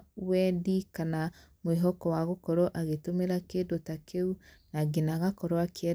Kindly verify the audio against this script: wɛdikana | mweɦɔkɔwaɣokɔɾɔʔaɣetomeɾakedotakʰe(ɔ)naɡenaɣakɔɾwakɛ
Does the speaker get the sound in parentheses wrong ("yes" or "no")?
yes